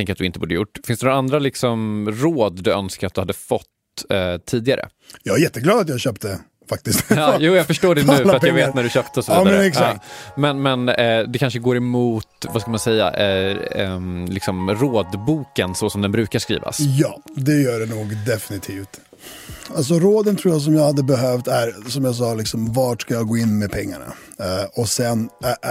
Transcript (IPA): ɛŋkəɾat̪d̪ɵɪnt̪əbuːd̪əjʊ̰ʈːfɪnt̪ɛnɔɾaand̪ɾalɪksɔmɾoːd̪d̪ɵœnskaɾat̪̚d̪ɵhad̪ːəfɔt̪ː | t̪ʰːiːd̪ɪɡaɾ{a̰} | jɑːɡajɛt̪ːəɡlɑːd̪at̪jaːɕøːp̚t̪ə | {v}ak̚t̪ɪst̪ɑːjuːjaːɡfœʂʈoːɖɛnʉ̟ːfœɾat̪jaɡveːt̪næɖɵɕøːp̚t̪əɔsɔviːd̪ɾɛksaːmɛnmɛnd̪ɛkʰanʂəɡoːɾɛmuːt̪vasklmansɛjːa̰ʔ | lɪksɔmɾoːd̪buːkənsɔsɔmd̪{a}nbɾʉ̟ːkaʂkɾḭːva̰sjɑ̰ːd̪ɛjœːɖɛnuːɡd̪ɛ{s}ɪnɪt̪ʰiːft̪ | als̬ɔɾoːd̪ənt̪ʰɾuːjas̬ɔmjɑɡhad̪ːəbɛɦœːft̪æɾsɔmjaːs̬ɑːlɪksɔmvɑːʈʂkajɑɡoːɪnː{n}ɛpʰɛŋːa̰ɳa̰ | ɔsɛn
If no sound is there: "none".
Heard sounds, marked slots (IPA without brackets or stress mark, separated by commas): ə̰, f, ɛ, f, m